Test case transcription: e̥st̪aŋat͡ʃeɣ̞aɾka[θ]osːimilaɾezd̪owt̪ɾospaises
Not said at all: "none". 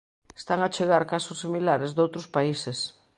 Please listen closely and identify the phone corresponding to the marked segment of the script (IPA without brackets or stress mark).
s